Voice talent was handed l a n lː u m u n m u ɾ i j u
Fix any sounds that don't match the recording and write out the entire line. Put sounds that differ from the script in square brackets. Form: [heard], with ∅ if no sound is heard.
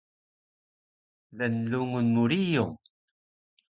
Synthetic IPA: l [æ] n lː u [ŋ] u n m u ɾ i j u